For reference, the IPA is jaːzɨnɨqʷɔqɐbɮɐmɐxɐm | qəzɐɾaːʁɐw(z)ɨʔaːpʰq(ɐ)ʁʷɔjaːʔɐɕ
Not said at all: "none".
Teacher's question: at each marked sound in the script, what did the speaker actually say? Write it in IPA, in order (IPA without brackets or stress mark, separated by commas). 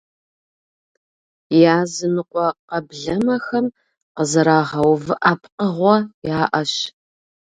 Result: v, ə